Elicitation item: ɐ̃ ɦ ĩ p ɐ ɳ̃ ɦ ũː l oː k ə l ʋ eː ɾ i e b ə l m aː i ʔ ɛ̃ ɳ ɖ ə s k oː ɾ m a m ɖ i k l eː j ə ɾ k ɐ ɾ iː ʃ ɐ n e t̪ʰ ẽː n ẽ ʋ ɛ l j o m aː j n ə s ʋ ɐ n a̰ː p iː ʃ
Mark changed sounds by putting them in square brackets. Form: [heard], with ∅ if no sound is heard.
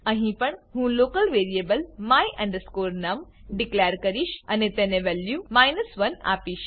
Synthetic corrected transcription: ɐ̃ ɦ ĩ p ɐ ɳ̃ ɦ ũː l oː k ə l ʋ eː ɾ i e b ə l m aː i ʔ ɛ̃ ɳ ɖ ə s k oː ɾ [n] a m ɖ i k l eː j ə ɾ k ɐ ɾ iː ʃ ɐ n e [t̪] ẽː n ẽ ʋ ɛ l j [u] m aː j n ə s ʋ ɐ n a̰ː p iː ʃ